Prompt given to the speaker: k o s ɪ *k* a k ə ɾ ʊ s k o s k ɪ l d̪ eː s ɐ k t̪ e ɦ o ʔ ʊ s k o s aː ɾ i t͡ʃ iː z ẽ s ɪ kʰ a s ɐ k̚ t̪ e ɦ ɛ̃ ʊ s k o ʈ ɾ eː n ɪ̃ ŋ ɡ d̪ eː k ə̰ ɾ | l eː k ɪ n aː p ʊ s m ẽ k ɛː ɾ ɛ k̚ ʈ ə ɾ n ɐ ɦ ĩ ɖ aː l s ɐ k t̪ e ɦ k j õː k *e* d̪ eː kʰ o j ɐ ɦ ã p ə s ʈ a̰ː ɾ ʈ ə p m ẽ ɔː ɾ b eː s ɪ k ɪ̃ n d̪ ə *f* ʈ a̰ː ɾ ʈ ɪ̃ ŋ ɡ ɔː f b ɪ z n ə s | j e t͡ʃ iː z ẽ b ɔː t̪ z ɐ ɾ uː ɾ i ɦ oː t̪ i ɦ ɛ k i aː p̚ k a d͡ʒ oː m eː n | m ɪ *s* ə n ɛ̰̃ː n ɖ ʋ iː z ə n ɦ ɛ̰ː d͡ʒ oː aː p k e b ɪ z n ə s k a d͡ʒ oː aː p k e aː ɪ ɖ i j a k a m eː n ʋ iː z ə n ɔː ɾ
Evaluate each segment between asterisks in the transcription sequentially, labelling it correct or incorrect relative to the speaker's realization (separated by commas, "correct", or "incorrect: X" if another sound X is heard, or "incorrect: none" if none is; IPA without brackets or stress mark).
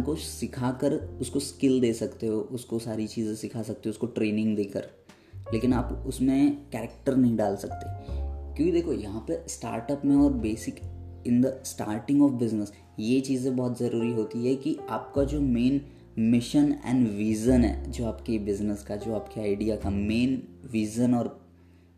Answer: incorrect: kʰ, incorrect: i, incorrect: s, incorrect: ʃ